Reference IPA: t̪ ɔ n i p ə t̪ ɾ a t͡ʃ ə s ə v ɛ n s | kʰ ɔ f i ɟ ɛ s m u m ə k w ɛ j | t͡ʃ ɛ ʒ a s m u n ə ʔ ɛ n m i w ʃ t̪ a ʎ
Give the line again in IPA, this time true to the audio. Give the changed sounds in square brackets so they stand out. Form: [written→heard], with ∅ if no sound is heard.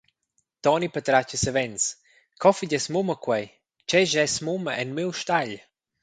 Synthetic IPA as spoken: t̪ ɔ n i p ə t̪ ɾ a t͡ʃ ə s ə v ɛ n s | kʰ ɔ f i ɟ ɛ s m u m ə k w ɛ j | t͡ʃ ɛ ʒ [a→ɛ] s m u [n→m] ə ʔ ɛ n m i w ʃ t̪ a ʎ